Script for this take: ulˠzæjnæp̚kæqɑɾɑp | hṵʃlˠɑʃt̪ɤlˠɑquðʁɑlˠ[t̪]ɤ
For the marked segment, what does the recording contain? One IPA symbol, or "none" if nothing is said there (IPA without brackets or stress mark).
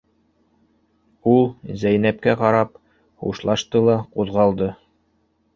d̪